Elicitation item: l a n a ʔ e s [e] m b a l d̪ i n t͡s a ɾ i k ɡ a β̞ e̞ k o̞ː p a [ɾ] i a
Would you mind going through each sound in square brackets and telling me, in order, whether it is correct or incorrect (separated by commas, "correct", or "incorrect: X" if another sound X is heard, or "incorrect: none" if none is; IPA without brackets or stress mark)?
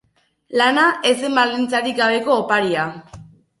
correct, correct